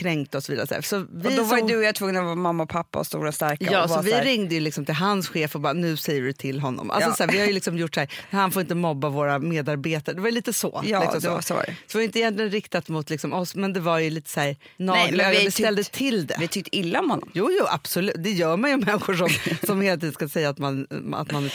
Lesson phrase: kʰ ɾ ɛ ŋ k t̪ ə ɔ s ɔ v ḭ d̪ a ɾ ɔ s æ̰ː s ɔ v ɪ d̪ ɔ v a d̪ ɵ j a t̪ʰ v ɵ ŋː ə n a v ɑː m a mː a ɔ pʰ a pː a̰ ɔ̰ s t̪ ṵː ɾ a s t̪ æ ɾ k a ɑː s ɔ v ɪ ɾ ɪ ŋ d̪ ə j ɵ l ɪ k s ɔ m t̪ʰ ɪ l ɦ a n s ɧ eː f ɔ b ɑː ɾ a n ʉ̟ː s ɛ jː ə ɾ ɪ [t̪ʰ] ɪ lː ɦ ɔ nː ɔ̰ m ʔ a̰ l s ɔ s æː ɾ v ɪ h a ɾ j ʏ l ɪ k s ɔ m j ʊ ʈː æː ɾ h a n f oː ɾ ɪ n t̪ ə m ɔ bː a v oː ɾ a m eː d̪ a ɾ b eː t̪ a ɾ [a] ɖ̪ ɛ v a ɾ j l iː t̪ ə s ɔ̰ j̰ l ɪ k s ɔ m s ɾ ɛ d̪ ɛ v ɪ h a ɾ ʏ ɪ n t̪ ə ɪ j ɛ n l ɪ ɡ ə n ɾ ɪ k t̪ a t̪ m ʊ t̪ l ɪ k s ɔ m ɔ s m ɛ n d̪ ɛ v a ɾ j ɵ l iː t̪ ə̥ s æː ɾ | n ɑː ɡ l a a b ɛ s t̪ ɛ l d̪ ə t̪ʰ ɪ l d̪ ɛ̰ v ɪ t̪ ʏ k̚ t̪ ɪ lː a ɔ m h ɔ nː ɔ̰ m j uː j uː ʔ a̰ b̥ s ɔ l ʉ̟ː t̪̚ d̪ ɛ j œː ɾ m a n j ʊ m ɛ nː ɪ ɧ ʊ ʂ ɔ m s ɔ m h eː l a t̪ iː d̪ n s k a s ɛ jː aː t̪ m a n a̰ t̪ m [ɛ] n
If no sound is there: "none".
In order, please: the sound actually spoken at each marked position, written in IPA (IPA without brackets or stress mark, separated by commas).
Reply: t̪ʰ, ə, a